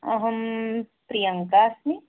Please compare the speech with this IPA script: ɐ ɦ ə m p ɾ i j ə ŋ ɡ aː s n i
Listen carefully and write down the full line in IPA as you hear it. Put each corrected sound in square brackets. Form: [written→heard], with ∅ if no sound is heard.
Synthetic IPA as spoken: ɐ ɦ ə m p ɾ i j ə ŋ [ɡ→k] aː s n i